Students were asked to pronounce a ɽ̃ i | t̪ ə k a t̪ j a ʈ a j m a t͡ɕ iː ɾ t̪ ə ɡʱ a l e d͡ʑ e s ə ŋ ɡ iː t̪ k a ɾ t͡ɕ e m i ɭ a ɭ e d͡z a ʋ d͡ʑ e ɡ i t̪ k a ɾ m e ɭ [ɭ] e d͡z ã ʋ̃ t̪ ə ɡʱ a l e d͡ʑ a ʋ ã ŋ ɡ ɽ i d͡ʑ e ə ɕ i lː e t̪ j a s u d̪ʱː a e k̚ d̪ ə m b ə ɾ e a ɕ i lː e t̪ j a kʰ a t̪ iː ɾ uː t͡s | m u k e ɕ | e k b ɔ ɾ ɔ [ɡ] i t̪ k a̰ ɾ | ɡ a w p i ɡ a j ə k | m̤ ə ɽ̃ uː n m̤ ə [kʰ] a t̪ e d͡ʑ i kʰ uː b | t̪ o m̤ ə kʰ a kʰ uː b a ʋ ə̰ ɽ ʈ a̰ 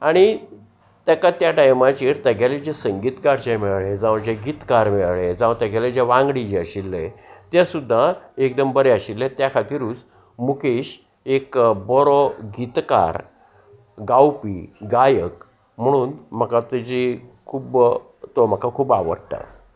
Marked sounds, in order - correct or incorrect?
correct, correct, incorrect: k

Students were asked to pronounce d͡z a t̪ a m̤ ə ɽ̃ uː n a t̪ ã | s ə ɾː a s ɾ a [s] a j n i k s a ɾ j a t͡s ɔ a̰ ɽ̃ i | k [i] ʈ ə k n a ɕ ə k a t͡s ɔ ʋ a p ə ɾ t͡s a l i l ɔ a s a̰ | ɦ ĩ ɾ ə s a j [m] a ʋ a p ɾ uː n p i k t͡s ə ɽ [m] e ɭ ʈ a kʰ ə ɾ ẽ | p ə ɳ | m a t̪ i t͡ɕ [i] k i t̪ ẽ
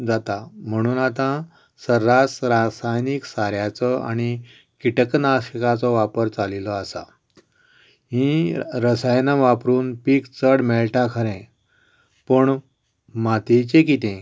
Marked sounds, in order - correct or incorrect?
correct, correct, incorrect: n, correct, incorrect: e

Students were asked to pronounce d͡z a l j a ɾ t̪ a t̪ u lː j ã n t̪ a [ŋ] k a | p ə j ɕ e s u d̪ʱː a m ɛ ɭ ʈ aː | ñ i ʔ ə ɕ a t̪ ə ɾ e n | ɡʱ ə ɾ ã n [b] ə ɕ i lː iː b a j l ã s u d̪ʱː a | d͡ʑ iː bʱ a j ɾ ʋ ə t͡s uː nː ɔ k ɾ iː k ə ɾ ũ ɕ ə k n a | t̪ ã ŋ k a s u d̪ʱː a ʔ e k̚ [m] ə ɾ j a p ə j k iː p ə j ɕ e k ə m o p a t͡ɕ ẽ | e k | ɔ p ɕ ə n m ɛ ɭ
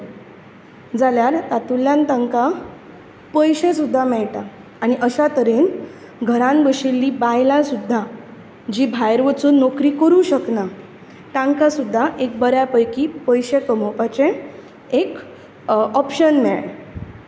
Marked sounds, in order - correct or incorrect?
correct, correct, incorrect: b

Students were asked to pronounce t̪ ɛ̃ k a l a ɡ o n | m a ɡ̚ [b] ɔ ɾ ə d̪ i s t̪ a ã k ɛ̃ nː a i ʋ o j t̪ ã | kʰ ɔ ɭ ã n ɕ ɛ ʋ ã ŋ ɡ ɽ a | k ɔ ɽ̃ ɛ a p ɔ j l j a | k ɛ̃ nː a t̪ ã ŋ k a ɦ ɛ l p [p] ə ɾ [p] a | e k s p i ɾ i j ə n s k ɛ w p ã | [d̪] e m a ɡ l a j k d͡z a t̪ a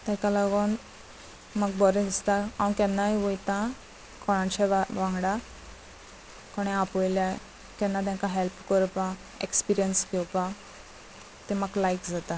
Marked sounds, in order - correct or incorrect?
correct, incorrect: k, correct, incorrect: t̪

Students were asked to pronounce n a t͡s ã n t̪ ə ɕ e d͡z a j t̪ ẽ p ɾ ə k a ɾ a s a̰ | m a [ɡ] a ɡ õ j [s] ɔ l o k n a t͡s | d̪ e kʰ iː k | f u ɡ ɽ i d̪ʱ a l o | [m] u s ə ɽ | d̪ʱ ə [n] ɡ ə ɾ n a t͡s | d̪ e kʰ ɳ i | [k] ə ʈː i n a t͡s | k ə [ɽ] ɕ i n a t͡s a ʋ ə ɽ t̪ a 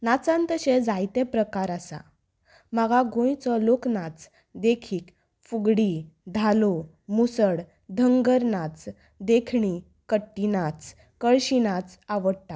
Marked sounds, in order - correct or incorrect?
correct, incorrect: t͡s, correct, incorrect: ŋ, correct, incorrect: ɭ

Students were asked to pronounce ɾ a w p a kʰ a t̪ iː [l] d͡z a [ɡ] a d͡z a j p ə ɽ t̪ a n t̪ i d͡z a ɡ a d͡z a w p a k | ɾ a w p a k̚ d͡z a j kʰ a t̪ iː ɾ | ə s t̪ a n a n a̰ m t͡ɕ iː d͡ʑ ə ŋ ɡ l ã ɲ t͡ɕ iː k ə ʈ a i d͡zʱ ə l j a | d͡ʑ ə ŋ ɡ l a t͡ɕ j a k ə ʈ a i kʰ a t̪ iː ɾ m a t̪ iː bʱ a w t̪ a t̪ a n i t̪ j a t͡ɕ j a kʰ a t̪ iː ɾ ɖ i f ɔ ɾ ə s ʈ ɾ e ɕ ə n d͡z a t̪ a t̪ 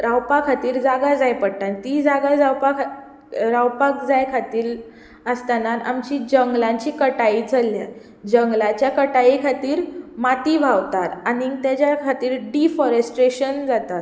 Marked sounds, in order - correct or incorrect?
incorrect: ɾ, correct

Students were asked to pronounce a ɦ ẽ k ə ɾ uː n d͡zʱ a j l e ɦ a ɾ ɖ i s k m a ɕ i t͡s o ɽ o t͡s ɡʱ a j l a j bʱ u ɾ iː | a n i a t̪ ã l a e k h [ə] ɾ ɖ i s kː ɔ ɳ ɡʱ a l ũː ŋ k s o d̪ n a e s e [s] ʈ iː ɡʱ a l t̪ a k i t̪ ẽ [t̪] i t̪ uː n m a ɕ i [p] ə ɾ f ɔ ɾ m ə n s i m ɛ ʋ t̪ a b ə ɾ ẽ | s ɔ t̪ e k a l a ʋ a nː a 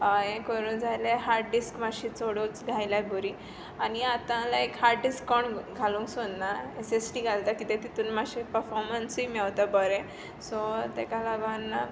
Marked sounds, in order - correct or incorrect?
incorrect: a, correct, correct, correct

